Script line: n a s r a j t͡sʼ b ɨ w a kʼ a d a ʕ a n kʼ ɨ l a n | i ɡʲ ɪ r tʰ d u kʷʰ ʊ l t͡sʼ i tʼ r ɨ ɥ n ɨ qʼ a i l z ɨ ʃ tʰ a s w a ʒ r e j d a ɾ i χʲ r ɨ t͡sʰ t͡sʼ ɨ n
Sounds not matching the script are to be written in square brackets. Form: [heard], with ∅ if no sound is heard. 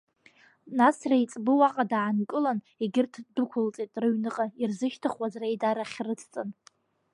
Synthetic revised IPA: n a s r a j t͡sʼ b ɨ w a [qʼ] a d a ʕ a n kʼ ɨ l a n | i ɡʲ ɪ r tʰ d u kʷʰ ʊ l t͡sʼ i tʼ r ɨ ɥ n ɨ qʼ a i [r] z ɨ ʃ tʰ a [χ] w a [z] r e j d a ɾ [a] χʲ r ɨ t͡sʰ t͡sʼ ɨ n